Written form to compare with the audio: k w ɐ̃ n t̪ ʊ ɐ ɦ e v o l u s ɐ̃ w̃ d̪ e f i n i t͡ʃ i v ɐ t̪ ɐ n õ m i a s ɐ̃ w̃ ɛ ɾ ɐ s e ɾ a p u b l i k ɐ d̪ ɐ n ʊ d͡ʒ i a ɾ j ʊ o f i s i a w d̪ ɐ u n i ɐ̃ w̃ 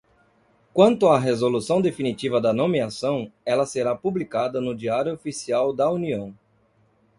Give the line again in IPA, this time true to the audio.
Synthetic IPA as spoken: k w ɐ̃ n t̪ ʊ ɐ ɦ e z o l u s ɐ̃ w̃ d̪ e f i n i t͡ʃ i v ɐ d̪ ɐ n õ m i a s ɐ̃ w̃ ɛ l ɐ s e ɾ a p u b l i k a d̪ ɐ n ʊ d͡ʒ i a ɾ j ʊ o f i s i a w d̪ ɐ u n i ɐ̃ w̃